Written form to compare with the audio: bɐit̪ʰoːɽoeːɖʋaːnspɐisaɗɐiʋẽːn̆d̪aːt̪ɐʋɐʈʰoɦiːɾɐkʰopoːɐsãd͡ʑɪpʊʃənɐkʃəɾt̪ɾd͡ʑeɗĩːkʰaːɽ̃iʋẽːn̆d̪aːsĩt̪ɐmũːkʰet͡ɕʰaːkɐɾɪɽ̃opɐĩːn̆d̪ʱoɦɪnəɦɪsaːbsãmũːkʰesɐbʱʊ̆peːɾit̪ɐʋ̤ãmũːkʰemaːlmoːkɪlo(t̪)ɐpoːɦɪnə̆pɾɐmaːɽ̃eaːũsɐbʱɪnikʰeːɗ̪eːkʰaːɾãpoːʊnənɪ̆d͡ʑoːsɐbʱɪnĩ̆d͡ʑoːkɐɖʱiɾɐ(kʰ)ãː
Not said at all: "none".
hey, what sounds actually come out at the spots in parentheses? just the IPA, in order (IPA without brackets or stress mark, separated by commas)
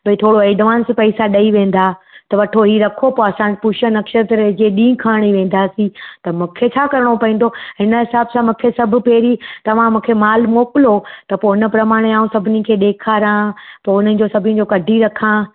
t̪, kʰ